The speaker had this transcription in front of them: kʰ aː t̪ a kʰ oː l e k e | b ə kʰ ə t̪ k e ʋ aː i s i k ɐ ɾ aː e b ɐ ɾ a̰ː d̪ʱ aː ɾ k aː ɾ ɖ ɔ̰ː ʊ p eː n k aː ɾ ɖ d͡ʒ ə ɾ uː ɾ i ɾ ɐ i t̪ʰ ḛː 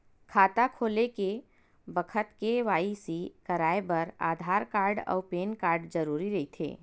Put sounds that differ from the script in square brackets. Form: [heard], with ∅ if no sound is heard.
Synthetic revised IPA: kʰ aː t̪ a kʰ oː l e k e | b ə kʰ ə t̪ k e ʋ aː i s i k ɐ ɾ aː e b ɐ ɾ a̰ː d̪ʱ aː ɾ k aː ɾ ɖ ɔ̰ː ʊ p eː n k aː ɾ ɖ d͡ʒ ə ɾ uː ɾ i ɾ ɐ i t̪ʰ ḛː